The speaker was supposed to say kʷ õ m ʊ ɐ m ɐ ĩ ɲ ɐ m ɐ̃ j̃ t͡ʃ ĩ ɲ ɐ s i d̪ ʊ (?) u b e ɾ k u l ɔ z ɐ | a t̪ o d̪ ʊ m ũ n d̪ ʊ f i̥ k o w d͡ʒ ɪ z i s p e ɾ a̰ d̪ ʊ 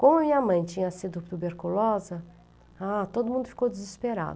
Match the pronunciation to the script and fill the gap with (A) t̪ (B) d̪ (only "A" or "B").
A